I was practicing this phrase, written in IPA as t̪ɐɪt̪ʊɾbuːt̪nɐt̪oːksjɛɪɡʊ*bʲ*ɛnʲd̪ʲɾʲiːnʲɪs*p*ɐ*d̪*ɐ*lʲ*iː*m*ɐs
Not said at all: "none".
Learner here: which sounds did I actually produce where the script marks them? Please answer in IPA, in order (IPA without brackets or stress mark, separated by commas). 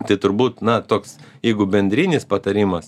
bʲ, p, t̪, ɾʲ, m